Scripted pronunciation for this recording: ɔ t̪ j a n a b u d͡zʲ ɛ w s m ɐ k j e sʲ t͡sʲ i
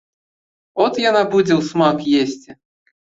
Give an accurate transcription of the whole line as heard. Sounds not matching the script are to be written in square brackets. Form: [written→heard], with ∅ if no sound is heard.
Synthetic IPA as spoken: ɔ t̪ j a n a b u d͡zʲ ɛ w s m [ɐ→a] k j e sʲ t͡sʲ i